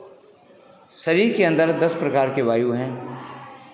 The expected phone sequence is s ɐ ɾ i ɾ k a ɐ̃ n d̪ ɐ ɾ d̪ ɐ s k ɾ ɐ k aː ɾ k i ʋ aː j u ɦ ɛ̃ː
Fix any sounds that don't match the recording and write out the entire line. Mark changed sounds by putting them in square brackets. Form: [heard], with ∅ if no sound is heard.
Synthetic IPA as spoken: s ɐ ɾ i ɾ k [e] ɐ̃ n d̪ [ə] ɾ d̪ ɐ s [p] ɾ ɐ k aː ɾ k [e] ʋ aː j u ɦ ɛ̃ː